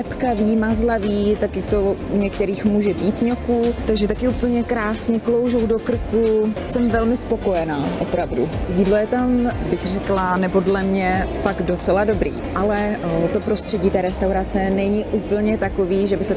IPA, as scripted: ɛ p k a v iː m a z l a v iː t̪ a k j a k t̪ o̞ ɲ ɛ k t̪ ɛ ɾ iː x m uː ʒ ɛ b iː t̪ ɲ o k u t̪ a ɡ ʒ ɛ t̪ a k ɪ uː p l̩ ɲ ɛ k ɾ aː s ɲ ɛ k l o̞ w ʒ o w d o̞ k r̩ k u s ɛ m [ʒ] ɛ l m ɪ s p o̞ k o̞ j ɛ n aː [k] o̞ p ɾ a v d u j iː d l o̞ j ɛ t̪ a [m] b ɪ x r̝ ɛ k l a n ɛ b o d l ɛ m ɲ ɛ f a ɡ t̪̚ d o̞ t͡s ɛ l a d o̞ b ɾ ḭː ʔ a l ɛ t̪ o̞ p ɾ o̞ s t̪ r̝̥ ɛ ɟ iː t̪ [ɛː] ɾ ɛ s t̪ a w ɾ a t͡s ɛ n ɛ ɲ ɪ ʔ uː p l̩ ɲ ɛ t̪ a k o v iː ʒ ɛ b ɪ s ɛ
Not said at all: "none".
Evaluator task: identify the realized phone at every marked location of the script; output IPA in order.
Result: v, ʔ, m, ɛː

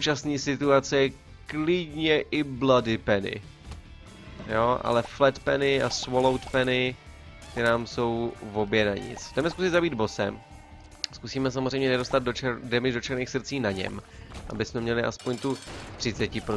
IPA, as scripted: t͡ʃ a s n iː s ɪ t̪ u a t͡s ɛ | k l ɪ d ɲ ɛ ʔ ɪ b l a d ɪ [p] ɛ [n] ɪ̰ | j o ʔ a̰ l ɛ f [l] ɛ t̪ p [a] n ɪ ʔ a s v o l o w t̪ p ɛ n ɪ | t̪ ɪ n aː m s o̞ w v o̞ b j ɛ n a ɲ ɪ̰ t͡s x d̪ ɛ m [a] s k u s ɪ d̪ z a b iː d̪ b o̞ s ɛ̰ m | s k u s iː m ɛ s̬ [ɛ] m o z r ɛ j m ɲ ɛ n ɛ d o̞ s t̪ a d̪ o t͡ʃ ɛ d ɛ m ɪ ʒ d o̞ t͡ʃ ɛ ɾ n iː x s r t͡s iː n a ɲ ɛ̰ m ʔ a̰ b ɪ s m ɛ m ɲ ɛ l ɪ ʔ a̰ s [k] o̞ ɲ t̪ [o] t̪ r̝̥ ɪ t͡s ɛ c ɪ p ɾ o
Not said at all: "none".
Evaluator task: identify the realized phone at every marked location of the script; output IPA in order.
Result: p, n, l, ɛ, ɛ, a, p, u

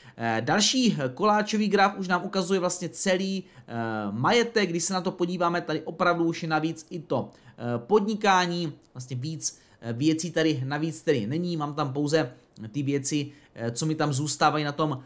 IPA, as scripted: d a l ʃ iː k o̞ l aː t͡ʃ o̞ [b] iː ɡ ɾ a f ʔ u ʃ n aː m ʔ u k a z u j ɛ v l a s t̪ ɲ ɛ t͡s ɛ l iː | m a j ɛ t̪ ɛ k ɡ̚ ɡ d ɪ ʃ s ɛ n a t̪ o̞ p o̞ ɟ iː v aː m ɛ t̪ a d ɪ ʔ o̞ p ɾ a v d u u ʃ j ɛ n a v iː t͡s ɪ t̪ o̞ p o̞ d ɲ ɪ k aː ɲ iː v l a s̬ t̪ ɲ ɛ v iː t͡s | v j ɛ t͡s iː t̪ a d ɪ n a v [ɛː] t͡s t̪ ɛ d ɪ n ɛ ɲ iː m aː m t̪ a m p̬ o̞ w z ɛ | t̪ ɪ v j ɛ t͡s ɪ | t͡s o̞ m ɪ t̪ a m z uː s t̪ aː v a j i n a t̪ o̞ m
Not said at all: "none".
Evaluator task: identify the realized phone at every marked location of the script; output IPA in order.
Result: v, iː

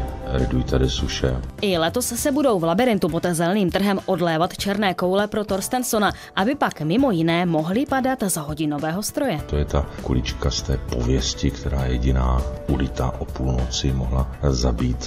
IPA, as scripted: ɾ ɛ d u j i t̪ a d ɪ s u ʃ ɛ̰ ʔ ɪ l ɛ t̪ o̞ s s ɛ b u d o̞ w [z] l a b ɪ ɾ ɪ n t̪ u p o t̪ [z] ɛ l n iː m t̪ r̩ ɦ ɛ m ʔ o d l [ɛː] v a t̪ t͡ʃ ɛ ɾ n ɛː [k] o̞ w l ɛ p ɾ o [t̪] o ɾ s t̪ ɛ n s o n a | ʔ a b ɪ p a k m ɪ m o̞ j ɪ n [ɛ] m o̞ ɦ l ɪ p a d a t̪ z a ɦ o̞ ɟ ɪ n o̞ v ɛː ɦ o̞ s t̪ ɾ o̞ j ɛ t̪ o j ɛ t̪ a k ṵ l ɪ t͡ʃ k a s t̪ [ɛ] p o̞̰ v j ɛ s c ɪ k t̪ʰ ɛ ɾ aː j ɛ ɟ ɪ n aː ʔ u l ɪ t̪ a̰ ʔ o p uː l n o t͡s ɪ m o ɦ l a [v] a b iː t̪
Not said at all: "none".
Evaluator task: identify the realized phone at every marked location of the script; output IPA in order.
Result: v, z, ɛː, k, t̪, ɛː, ɛː, z

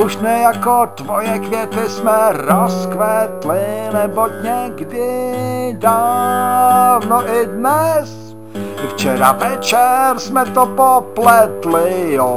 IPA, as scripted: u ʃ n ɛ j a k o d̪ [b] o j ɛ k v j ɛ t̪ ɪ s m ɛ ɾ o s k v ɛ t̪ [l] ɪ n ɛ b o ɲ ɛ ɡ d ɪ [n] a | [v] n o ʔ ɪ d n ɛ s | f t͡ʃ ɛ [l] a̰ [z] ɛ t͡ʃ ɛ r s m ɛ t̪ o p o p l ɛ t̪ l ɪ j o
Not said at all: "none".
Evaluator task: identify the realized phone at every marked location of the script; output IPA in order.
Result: v, l, d, v, ɾ, v

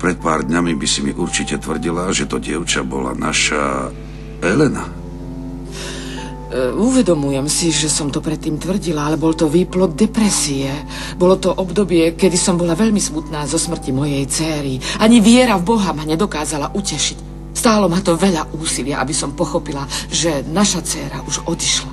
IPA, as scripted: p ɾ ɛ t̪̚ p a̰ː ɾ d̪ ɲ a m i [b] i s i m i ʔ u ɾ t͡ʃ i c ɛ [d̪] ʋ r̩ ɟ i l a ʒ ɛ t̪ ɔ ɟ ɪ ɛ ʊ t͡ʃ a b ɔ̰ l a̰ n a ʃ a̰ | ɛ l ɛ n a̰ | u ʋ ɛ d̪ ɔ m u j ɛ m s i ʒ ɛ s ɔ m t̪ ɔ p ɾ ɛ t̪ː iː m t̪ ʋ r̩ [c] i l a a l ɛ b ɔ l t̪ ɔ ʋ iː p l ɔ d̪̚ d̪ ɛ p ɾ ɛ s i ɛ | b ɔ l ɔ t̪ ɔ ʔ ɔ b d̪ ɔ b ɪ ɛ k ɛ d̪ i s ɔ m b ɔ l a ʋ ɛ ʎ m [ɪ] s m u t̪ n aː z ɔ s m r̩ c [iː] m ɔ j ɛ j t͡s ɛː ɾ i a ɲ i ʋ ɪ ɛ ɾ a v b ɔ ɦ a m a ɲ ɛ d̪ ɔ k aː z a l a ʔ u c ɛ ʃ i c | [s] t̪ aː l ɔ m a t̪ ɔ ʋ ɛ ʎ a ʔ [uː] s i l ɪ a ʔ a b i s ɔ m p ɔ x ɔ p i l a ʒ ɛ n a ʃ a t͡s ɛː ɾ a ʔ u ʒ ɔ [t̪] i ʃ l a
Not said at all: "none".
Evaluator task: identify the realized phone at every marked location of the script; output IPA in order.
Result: b, t̪, ɟ, i, i, s, uː, d̪

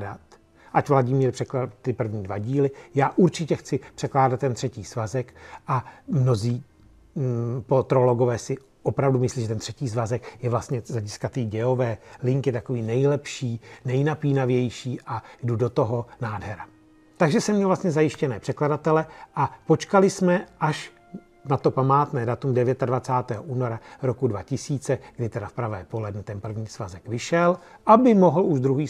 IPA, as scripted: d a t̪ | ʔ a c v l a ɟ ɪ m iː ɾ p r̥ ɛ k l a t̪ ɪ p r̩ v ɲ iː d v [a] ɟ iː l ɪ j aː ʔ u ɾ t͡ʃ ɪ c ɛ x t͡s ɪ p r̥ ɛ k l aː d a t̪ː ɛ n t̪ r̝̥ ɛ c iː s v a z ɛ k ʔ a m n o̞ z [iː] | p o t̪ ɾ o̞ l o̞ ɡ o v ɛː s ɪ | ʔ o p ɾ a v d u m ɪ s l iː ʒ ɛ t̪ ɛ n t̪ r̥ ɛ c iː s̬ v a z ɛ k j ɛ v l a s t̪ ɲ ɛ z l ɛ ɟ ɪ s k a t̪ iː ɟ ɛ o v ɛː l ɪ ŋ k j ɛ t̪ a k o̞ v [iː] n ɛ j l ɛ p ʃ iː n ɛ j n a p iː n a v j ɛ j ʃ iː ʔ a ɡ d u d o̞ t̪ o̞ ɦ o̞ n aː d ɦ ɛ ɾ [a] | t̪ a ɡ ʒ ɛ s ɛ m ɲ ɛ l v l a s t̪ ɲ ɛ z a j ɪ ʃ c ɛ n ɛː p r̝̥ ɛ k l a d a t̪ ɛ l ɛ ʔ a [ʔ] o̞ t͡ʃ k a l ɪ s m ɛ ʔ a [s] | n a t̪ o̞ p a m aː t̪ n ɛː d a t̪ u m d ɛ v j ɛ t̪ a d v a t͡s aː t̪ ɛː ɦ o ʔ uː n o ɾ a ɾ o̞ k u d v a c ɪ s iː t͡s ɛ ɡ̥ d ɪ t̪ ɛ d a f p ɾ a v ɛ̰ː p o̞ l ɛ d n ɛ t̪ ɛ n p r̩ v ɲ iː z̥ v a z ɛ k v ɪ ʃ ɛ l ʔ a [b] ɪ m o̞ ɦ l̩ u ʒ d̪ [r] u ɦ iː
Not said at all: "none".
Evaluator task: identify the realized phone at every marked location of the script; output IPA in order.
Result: a, iː, iː, a, p, ʃ, b, ɾ

